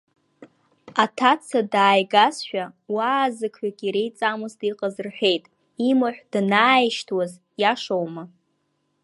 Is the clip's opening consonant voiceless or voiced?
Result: voiceless